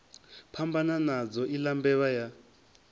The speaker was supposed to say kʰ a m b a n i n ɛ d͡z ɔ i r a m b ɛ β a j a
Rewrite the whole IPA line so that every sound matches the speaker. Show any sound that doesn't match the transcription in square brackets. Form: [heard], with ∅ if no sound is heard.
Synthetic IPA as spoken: [pʰ] a m b a n [a] n [a] d͡z ɔ i [l] a m b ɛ β a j a